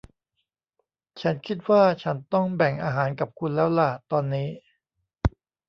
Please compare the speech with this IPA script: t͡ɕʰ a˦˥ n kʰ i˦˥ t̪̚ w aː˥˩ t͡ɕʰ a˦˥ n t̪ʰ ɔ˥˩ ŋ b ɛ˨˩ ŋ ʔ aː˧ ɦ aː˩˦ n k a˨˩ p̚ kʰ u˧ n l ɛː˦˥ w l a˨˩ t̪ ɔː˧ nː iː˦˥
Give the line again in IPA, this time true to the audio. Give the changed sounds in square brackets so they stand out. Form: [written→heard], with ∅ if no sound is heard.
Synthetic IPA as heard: t͡ɕʰ a˦˥ n kʰ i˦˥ t̪̚ w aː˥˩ t͡ɕʰ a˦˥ n [t̪ʰ→t̪] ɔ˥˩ ŋ b ɛ˨˩ ŋ ʔ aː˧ ɦ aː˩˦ n k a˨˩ p̚ kʰ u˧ n l ɛː˦˥ w l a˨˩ t̪ ɔː˧ nː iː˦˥

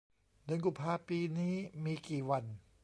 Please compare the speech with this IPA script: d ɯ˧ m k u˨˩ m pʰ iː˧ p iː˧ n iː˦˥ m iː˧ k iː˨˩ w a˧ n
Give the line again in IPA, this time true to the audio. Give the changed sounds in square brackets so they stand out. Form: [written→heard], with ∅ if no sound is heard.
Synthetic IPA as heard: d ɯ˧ [m→n] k u˨˩ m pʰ [iː˧→aː˧] p iː˧ n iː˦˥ m iː˧ k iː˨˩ w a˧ n

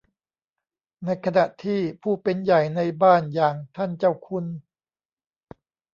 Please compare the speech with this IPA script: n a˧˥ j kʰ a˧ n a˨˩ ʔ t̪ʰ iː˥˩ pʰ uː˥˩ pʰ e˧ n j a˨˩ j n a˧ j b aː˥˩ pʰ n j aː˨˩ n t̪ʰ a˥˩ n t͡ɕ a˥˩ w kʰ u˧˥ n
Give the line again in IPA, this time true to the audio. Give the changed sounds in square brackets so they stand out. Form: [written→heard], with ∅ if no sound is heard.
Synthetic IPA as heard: n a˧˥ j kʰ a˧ n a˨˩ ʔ t̪ʰ iː˥˩ pʰ uː˥˩ [pʰ→p] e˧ n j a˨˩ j n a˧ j b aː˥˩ [pʰ→∅] n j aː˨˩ [n→ŋ] t̪ʰ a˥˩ n t͡ɕ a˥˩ w kʰ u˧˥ n

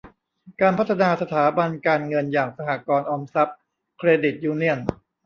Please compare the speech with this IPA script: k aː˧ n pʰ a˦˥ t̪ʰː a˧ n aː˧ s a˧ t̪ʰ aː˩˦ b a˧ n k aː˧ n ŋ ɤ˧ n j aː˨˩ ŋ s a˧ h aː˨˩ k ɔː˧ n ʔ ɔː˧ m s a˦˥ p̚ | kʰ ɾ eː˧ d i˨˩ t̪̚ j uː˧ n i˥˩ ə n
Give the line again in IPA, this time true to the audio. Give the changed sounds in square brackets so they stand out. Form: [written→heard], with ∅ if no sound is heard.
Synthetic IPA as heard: k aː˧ n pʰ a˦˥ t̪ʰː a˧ n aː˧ s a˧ t̪ʰ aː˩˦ b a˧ n k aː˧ n ŋ ɤ˧ n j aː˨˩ ŋ s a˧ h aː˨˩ k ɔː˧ n ʔ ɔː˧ m s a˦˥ p̚ | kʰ ɾ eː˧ d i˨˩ t̪̚ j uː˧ n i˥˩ ə n

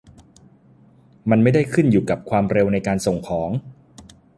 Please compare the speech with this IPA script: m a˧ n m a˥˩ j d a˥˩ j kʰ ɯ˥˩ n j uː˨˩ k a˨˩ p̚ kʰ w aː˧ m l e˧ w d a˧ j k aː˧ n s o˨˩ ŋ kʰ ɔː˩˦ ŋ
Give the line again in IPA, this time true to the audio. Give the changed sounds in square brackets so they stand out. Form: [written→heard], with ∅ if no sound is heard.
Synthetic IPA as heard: m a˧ n m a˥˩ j d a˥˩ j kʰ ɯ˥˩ n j uː˨˩ k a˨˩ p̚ kʰ w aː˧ m [l→ɾ] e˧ w [d→n] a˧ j k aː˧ n s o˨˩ ŋ kʰ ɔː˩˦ ŋ

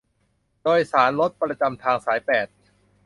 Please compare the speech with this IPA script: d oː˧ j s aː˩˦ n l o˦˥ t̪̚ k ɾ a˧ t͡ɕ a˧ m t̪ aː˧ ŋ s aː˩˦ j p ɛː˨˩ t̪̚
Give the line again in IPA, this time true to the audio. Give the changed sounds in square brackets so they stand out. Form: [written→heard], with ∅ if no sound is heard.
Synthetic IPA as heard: d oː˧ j s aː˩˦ n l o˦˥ t̪̚ [k→p] ɾ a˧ t͡ɕ a˧ m [t̪→t̪ʰ] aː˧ ŋ s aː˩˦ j p ɛː˨˩ t̪̚

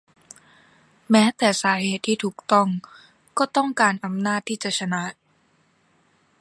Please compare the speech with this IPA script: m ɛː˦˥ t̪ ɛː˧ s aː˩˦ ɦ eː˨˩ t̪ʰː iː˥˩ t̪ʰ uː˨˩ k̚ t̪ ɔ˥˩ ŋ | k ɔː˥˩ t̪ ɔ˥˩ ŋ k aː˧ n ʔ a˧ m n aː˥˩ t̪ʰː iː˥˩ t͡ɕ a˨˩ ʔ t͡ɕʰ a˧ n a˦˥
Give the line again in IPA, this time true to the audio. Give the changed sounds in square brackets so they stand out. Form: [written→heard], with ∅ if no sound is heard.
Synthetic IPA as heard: m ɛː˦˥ t̪ [ɛː˧→ɛː˨˩] s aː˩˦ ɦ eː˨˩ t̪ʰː iː˥˩ t̪ʰ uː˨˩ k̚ t̪ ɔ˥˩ ŋ | k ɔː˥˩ t̪ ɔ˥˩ ŋ k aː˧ n ʔ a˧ m n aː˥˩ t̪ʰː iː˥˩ t͡ɕ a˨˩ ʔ t͡ɕʰ a˧ n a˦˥

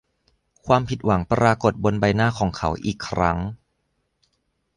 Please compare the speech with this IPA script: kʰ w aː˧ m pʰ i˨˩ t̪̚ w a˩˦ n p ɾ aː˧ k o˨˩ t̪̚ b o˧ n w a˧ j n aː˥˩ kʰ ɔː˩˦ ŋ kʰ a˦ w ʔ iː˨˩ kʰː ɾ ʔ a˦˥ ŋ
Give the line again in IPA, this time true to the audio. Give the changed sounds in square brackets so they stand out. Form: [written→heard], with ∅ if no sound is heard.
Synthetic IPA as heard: kʰ w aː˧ m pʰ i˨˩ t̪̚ w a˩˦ [n→ŋ] p ɾ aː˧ k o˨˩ t̪̚ b o˧ n [w→b] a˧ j n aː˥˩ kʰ ɔː˩˦ ŋ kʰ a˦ w ʔ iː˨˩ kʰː ɾ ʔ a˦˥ ŋ

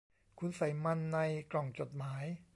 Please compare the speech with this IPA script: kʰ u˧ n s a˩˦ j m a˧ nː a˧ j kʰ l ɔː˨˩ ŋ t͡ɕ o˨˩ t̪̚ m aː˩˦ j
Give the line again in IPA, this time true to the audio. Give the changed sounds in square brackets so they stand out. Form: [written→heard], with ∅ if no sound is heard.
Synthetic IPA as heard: kʰ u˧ n s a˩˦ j m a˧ nː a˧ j [kʰ→k] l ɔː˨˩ ŋ t͡ɕ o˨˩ t̪̚ m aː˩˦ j

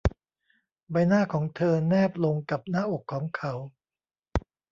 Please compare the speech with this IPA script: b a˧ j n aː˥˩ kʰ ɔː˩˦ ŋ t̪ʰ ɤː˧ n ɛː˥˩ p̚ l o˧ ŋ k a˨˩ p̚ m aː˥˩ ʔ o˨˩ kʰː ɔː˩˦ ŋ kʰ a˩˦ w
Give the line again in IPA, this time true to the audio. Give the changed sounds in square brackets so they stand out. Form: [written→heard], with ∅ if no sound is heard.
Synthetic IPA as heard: b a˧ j n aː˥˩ kʰ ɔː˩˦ ŋ t̪ʰ ɤː˧ n ɛː˥˩ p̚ l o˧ ŋ k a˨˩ p̚ [m→n] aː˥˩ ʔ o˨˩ kʰː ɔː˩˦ ŋ kʰ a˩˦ w

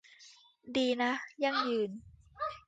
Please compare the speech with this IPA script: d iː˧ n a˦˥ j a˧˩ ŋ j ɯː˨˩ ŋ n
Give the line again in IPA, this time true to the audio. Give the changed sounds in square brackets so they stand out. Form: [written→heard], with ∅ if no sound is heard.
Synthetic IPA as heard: d iː˧ n a˦˥ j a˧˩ ŋ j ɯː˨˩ [ŋ→∅] n

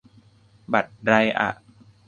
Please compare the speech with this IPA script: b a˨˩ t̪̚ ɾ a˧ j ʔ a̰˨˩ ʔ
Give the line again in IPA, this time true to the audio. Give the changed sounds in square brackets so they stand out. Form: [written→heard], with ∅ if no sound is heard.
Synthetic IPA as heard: b a˨˩ t̪̚ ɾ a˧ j ʔ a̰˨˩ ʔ

